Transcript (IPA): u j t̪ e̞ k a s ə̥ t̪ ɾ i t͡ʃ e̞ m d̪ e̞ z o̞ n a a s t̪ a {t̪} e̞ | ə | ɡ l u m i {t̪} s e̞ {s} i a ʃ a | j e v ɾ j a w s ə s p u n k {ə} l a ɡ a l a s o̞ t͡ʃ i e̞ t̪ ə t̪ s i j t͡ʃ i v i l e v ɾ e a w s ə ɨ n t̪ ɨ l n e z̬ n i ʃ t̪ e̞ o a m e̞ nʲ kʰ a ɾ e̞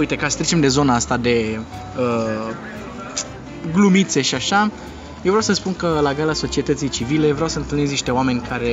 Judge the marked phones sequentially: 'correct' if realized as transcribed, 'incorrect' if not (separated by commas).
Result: incorrect, correct, incorrect, correct